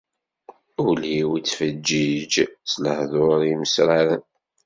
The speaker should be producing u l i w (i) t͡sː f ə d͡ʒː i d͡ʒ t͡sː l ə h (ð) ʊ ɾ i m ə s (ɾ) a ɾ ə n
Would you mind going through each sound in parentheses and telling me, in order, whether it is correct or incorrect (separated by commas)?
correct, correct, correct